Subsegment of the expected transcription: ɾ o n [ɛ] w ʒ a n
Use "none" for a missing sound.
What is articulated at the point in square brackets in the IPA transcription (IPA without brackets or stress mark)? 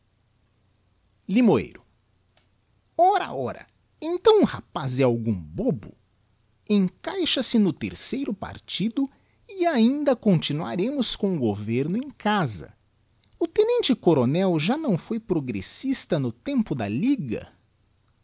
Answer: ɛ